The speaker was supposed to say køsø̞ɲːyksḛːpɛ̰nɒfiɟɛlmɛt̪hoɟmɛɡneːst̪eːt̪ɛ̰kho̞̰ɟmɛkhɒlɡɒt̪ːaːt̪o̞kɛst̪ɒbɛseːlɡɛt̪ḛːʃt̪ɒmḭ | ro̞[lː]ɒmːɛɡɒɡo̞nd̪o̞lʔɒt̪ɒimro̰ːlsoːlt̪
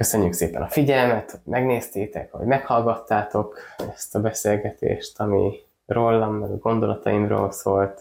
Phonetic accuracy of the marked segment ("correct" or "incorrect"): correct